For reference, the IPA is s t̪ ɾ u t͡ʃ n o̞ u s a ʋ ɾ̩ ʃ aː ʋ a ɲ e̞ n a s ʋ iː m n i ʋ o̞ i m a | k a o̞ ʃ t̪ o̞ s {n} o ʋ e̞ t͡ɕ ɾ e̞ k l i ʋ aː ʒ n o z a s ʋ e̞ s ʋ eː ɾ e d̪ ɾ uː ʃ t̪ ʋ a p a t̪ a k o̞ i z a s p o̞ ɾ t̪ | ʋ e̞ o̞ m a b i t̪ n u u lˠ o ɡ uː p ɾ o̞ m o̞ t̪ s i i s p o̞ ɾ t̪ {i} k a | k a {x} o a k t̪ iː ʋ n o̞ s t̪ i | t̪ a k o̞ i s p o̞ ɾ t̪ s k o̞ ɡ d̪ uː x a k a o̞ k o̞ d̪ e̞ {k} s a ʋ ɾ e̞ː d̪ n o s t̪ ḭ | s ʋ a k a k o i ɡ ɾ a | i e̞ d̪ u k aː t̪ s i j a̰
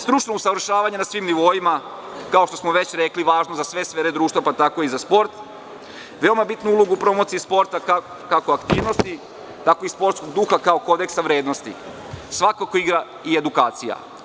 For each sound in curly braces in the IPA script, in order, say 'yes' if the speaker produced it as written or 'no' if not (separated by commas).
no, no, no, yes